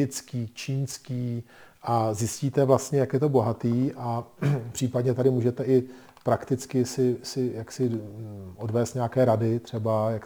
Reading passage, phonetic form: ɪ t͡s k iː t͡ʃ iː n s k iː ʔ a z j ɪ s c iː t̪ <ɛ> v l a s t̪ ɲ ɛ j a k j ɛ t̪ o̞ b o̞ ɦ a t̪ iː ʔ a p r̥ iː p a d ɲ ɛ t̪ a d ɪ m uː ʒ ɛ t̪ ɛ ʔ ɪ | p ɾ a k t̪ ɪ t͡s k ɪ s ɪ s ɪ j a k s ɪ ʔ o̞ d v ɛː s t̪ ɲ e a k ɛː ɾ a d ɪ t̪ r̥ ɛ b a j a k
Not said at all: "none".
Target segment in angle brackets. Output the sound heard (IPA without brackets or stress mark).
ɛ